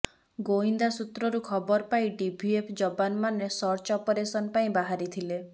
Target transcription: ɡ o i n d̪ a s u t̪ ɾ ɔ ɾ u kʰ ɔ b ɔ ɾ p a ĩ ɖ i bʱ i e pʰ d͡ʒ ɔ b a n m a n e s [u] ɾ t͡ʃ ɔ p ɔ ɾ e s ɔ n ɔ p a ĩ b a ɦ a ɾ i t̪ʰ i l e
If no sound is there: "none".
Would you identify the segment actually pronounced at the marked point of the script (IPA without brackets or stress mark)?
ɔ